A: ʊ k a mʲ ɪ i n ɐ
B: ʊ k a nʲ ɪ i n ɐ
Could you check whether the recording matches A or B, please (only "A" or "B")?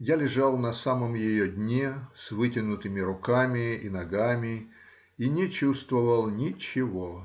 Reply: A